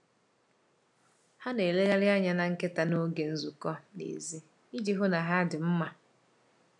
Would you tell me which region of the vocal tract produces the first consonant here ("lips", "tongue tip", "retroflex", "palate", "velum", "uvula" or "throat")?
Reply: throat